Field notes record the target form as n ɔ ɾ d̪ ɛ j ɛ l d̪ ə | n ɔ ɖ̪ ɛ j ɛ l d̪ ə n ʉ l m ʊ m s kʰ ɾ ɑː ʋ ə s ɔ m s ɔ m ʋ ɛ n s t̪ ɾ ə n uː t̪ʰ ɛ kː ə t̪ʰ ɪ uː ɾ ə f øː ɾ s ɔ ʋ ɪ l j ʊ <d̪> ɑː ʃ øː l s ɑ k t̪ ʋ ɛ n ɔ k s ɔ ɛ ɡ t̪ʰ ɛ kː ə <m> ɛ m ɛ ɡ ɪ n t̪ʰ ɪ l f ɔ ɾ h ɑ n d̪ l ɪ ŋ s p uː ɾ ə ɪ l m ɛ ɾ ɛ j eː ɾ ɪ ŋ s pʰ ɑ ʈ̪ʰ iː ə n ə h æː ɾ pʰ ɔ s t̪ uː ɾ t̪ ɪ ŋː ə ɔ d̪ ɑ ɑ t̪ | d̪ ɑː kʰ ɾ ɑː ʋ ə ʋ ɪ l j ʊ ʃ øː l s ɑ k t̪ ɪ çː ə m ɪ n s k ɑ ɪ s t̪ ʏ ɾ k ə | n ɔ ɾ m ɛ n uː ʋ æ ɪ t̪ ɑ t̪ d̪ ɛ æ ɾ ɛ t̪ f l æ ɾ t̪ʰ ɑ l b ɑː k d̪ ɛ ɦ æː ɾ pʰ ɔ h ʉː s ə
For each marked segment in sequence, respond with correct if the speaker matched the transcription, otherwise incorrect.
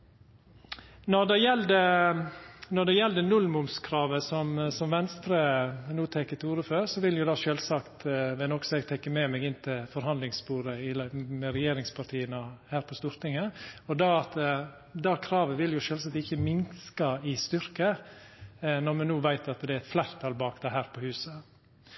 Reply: correct, correct

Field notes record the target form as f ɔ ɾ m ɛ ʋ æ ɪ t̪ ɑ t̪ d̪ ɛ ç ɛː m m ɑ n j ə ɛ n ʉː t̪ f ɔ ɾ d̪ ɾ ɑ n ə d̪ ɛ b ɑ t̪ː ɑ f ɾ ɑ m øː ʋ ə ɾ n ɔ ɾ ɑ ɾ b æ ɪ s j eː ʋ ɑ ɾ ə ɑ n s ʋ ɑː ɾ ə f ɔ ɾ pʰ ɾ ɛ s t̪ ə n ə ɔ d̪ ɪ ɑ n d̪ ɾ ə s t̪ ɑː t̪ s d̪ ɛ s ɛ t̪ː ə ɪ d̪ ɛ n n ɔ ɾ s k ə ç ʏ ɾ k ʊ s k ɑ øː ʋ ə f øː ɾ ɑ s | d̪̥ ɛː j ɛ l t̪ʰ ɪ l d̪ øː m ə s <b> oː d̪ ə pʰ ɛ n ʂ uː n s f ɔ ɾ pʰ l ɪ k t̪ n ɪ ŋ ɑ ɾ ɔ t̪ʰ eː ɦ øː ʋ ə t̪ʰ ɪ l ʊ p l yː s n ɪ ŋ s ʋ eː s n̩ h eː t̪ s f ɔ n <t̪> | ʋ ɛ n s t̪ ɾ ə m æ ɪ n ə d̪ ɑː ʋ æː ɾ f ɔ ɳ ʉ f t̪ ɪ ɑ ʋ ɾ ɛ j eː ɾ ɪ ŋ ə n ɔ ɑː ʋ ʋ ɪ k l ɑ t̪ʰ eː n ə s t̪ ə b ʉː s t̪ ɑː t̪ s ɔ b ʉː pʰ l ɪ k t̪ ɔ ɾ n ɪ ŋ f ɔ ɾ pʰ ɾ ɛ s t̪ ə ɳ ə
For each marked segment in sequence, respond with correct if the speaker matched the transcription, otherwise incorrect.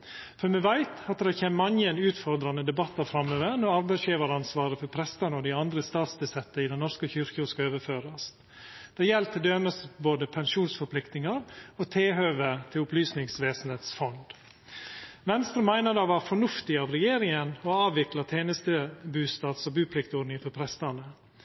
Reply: correct, incorrect

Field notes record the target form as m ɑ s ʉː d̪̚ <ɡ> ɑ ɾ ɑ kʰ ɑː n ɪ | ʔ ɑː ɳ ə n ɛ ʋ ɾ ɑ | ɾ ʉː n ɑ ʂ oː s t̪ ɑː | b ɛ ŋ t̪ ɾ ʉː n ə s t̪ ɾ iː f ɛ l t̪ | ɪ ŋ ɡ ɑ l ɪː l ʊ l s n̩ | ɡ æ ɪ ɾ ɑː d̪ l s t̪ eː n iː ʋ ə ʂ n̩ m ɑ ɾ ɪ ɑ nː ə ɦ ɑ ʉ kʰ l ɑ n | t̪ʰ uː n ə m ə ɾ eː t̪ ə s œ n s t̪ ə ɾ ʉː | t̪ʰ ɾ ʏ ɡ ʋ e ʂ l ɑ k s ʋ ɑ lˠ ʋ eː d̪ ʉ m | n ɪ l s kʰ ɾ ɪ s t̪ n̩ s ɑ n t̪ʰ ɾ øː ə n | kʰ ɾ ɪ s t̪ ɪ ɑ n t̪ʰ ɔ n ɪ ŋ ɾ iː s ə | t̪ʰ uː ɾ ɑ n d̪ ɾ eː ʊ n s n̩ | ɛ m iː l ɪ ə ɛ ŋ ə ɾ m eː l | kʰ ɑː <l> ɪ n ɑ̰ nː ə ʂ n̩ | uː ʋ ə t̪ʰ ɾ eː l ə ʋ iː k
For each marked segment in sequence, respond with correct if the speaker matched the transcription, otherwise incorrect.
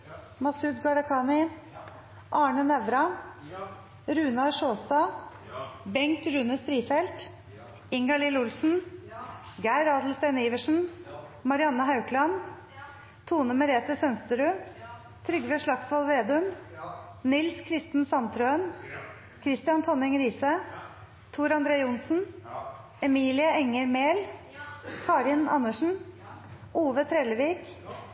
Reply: correct, incorrect

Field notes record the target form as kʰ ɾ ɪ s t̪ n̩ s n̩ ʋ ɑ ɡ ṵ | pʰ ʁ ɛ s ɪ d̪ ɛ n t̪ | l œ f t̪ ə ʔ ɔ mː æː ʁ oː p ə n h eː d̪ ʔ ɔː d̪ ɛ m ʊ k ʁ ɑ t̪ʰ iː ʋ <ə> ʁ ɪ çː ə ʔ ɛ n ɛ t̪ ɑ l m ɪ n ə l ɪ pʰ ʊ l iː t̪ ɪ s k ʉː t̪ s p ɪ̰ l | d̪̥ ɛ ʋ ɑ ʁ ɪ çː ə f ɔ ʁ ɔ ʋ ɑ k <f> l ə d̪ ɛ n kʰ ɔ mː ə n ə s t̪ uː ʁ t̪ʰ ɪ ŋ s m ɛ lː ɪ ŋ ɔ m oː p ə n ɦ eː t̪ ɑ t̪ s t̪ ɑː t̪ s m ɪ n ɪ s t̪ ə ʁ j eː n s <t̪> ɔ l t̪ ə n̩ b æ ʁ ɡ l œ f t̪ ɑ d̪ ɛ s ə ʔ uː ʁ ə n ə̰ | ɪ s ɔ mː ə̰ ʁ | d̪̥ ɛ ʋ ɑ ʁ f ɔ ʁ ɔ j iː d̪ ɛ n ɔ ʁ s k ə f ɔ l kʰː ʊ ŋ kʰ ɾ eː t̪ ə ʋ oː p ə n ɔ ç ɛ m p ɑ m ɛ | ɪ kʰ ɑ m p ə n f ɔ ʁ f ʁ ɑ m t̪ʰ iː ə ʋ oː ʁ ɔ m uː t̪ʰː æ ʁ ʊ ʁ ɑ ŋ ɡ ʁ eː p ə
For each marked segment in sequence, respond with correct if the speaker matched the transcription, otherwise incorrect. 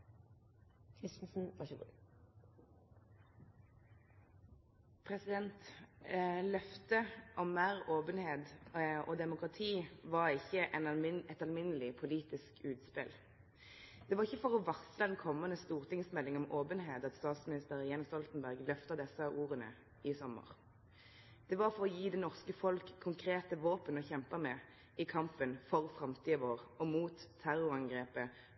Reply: incorrect, incorrect, correct

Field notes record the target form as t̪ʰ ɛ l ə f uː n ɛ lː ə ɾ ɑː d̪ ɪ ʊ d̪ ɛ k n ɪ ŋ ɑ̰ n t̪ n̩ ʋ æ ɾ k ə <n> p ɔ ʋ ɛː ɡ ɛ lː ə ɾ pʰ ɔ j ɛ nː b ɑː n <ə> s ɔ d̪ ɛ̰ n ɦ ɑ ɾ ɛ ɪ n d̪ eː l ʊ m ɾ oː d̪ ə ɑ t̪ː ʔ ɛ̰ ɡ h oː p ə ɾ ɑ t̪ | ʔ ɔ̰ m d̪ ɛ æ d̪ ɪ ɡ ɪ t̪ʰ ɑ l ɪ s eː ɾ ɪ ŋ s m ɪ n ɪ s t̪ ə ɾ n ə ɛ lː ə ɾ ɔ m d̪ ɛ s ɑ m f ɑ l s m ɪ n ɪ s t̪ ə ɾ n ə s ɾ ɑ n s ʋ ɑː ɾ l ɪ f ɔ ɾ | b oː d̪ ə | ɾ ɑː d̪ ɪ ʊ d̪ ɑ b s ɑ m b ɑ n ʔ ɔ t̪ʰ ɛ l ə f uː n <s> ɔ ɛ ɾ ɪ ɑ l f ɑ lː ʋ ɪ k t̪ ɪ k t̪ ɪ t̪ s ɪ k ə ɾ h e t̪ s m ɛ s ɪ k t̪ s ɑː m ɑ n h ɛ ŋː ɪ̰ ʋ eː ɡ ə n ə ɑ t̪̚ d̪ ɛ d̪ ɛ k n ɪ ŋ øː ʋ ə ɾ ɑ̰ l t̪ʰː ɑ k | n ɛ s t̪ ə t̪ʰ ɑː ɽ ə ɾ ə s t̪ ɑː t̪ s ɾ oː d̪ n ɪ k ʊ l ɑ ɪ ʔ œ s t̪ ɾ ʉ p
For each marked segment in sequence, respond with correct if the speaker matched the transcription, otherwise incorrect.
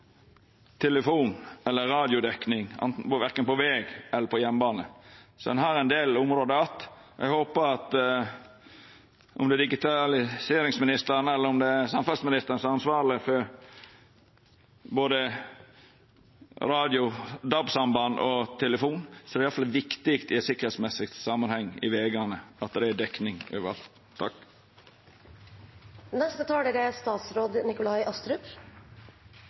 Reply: correct, correct, correct

